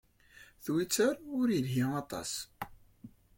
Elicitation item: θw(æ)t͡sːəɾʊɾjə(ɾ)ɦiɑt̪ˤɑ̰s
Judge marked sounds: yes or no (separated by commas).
no, no